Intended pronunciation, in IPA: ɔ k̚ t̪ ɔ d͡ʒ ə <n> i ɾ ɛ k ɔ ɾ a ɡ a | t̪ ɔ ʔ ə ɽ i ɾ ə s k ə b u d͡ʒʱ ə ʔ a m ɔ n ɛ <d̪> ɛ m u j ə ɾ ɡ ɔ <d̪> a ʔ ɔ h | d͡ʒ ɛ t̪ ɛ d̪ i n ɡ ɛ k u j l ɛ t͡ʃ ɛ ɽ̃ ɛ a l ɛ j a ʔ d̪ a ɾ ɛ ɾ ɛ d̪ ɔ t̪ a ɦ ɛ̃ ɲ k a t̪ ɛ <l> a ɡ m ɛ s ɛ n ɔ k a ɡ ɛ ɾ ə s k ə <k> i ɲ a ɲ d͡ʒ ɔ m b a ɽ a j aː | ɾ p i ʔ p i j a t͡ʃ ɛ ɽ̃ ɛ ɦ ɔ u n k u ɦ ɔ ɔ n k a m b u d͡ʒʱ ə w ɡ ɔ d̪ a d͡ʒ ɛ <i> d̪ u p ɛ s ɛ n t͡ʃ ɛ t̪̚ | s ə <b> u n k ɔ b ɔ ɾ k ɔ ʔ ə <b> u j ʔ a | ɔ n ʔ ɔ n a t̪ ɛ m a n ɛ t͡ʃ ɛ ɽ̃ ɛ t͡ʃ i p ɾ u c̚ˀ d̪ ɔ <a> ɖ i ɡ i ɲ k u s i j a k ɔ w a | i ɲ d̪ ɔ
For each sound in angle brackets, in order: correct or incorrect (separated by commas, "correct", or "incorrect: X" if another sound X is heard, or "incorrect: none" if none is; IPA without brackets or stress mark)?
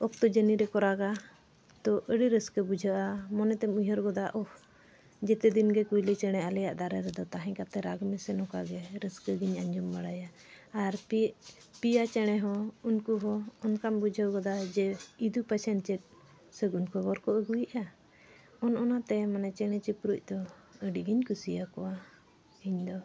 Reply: correct, incorrect: t̪, correct, incorrect: ɾ, incorrect: ɡ, correct, incorrect: ɡ, incorrect: ɡ, incorrect: ə